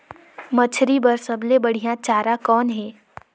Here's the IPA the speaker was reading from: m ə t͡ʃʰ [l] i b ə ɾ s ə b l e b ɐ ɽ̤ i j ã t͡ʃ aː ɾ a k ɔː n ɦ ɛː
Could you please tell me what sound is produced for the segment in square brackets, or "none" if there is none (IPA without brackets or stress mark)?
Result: ɾ